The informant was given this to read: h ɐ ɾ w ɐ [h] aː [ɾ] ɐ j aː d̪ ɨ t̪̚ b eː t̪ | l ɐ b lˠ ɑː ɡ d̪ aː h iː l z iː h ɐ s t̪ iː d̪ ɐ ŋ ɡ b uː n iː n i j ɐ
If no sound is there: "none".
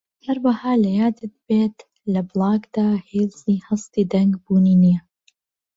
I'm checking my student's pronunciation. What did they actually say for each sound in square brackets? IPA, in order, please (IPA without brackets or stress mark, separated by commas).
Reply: h, l